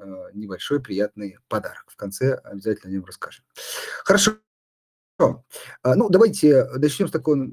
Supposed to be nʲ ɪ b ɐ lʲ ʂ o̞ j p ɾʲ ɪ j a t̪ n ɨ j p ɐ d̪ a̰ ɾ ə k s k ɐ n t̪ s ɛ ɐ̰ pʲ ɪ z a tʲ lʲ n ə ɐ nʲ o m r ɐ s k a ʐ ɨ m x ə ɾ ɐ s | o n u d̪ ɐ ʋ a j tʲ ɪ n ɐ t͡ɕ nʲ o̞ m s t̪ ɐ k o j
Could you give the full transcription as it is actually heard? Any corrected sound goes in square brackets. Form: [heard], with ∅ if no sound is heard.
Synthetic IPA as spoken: nʲ ɪ b ɐ lʲ ʂ o̞ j p ɾʲ ɪ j a t̪ n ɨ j p ɐ d̪ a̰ ɾ ə k [f] k ɐ n t̪ s ɛ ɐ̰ [bʲ] ɪ z a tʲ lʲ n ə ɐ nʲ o m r ɐ s k a ʐ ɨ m x ə ɾ ɐ [ʂ] | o n u d̪ ɐ [v] a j tʲ ɪ n ɐ t͡ɕ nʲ o̞ m s t̪ ɐ k o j